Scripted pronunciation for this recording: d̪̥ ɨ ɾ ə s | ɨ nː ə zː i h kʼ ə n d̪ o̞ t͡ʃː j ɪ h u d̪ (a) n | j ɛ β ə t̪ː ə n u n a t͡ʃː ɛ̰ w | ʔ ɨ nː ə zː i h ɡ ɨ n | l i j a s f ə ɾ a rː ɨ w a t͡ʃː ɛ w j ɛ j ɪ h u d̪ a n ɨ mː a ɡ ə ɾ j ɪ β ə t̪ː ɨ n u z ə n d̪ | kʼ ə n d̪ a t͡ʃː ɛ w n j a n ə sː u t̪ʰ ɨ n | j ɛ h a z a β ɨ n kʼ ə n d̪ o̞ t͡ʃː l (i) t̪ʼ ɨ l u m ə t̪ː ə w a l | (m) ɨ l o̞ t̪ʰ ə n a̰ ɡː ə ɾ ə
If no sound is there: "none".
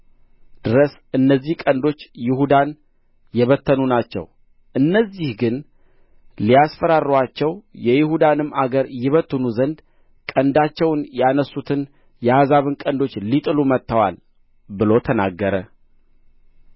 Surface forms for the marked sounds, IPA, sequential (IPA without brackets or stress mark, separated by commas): a, i, b